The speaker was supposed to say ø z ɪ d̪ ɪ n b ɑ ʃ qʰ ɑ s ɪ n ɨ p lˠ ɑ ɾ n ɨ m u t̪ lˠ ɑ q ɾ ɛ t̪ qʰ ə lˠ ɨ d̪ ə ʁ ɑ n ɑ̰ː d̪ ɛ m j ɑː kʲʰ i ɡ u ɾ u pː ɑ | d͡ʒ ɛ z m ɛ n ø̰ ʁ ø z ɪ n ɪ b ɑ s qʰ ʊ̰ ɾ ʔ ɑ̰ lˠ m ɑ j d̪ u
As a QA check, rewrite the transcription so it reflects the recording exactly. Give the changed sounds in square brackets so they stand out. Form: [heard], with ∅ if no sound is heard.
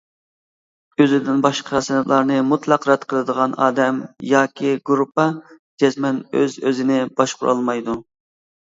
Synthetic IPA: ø z ɪ d̪ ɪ n b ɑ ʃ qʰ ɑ s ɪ n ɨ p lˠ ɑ ɾ n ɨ m u t̪ lˠ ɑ q ɾ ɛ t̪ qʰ ə lˠ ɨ d̪ ə ʁ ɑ n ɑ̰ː d̪ ɛ m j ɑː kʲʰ i ɡ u ɾ u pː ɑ | d͡ʒ ɛ z m ɛ n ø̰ [z] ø z ɪ n ɪ b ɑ [ʃ] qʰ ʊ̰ ɾ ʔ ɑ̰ lˠ m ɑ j d̪ u